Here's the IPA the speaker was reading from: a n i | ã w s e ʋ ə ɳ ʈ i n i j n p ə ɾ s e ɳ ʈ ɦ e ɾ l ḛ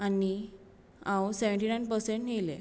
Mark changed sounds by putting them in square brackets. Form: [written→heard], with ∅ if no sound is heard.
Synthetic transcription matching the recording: a n i | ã w s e ʋ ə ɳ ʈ i n [i→a] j n p ə ɾ s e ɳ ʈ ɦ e [ɾ→∅] l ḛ

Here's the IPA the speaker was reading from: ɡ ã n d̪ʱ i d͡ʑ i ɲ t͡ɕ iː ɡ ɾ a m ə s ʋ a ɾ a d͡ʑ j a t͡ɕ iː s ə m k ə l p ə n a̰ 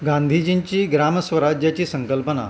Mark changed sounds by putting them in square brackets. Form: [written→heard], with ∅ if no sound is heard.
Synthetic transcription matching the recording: ɡ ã n d̪ʱ i d͡ʑ i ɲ t͡ɕ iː ɡ ɾ a m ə s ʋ [a→ə] ɾ a d͡ʑ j a t͡ɕ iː s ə [m→ŋ] k ə l p ə n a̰

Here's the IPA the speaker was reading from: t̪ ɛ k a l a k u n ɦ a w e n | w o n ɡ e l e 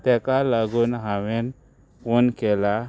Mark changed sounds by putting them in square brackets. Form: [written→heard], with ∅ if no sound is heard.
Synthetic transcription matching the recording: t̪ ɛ k a l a [k→ɡ] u n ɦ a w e n | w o n [ɡ→k] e l [e→a]

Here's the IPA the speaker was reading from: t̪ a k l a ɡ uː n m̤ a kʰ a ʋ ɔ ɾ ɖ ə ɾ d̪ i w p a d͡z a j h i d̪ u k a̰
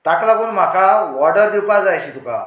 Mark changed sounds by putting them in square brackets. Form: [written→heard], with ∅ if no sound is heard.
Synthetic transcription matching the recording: t̪ a k l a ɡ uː n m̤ a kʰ a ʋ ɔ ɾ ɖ ə ɾ d̪ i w p a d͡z a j [h→ɕ] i [d̪→t̪] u k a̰

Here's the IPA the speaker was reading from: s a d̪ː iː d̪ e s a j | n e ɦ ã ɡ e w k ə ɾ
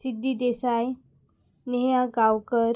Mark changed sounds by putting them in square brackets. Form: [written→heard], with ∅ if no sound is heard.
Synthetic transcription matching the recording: s [a→i] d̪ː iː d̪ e s a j | n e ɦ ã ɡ [e→a] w k ə ɾ

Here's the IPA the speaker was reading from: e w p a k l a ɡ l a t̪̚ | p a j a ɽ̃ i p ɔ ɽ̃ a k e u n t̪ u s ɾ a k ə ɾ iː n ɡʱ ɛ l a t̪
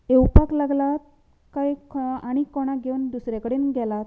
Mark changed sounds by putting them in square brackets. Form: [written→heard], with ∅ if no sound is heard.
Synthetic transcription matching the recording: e w p a k l a ɡ l a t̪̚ | [p→k] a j a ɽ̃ i [p→k] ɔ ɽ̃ a [k→ɡ] e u n [t̪→d̪] u s ɾ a k ə [ɾ→ɽ] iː n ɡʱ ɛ l a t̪

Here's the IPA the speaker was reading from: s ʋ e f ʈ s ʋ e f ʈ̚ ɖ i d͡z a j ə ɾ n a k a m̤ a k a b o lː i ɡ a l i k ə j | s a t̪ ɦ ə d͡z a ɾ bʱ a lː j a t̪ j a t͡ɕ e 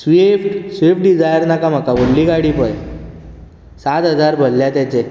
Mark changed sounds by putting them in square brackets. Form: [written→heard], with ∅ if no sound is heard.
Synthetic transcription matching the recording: s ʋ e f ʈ s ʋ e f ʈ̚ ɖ i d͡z a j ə ɾ n a k a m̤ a k a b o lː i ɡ a [l→ɽ] i [k→p] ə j | s a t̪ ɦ ə d͡z a ɾ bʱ [a→ə] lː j a t̪ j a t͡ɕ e

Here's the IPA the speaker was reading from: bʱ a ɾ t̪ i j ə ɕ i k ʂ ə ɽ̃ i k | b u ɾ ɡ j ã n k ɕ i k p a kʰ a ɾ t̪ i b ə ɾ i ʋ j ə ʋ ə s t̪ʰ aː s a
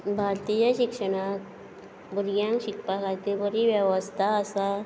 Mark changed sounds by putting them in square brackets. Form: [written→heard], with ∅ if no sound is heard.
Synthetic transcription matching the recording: bʱ a ɾ t̪ i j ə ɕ i k ʂ ə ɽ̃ [i→a] k | b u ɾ ɡ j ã [n→ŋ] k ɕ i k p a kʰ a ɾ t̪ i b ə ɾ i ʋ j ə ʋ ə s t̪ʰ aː s a

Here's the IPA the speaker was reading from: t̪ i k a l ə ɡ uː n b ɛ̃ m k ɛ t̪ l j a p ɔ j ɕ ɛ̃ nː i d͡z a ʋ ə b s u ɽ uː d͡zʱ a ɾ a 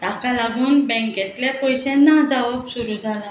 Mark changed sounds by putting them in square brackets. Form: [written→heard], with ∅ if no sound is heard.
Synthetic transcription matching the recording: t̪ [i→a] k a l [ə→a] ɡ uː n b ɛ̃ [m→ŋ] k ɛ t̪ l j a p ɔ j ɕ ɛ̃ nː [i→a] d͡z a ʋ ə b s u [ɽ→ɾ] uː d͡zʱ a [ɾ→l] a

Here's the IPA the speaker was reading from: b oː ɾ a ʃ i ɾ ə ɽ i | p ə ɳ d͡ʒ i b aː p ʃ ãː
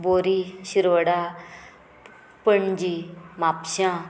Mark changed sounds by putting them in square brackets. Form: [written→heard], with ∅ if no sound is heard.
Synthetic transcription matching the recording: b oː ɾ [a→i] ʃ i ɾ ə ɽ [i→a] | p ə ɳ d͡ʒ i [b→m] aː p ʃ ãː

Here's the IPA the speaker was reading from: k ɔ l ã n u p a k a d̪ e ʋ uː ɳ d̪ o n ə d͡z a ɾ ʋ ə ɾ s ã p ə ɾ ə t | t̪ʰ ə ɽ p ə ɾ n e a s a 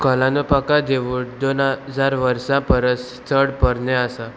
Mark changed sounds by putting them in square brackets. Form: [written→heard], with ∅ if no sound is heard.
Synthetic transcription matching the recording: k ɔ l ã n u p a k a d̪ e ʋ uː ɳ d̪ o n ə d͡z a ɾ ʋ ə ɾ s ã p ə ɾ ə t | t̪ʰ ə ɽ p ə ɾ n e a s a

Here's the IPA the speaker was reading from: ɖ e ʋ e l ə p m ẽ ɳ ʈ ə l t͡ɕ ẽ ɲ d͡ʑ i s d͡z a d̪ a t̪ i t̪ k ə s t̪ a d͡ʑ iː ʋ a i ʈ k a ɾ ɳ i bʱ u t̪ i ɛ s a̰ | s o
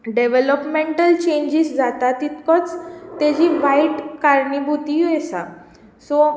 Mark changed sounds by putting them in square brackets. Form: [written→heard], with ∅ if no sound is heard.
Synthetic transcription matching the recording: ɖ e ʋ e l ə p m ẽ ɳ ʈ ə l t͡ɕ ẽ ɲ d͡ʑ i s d͡z a [d̪→t̪] a t̪ i t̪ k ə [s→t͡s] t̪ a d͡ʑ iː ʋ a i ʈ k a ɾ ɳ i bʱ u t̪ i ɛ s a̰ | s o

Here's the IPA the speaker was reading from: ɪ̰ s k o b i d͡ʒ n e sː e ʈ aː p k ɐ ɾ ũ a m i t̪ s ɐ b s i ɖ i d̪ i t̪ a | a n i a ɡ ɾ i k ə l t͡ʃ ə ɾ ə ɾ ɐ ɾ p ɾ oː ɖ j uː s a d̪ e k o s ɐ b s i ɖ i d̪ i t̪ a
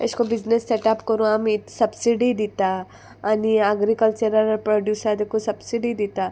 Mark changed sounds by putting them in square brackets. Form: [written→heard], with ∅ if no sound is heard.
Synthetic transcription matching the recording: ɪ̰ s k o b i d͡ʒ n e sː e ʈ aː p k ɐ ɾ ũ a m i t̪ s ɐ b s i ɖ i d̪ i t̪ a | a n i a ɡ ɾ i k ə l t͡ʃ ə ɾ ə ɾ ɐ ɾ p ɾ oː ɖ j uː s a d̪ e k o s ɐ b s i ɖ i d̪ i t̪ a

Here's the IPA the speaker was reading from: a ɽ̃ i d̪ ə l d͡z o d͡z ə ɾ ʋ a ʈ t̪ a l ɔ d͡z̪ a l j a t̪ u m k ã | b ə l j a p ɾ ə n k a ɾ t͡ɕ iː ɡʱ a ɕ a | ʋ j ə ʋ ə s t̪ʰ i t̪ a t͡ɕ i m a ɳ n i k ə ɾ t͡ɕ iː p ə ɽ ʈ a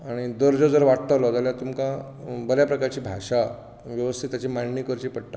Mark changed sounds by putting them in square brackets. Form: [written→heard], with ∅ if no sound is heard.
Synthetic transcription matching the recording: a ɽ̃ i d̪ ə [l→ɾ] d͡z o d͡z ə ɾ ʋ a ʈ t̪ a l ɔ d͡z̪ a l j a t̪ u m k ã | b ə l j a p ɾ ə [n→∅] k a ɾ t͡ɕ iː [ɡʱ→bʱ] a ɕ a | ʋ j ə ʋ ə s t̪ʰ i t̪ a t͡ɕ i m a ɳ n i k ə ɾ t͡ɕ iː p ə ɽ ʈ a

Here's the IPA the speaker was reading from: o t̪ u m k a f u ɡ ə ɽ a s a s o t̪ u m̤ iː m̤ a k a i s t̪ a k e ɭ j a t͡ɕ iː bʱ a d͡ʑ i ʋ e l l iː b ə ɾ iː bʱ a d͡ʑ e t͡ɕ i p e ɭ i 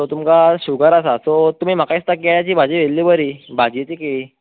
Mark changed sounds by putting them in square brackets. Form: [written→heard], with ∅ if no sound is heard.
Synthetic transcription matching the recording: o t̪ u m k a [f→ɕ] u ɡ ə [ɽ→ɾ] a s a s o t̪ u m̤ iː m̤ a k a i s t̪ a k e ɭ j a t͡ɕ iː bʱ a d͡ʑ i ʋ e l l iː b ə ɾ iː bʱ a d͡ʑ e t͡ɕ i [p→k] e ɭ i

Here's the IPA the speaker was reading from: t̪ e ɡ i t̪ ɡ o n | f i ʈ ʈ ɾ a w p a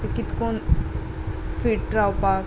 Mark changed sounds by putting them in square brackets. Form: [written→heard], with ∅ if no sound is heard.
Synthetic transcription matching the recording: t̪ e [ɡ→k] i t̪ [ɡ→k] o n | f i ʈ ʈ ɾ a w p a

